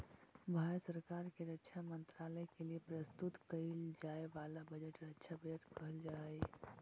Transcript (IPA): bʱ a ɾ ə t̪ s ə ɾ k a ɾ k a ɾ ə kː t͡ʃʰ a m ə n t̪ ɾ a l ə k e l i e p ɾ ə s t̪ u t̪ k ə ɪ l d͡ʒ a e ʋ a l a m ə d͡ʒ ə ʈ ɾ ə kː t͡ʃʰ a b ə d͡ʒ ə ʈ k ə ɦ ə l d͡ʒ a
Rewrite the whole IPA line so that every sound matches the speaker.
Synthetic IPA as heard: bʱ a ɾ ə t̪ s ə ɾ k a ɾ k e ɾ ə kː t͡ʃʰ a m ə n t̪ ɾ a l ə k e l i e p ɾ ə s t̪ u t̪ k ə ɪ l d͡ʒ a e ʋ a l a b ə d͡ʒ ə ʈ ɾ ə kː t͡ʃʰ a b ə d͡ʒ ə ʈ k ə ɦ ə l d͡ʒ a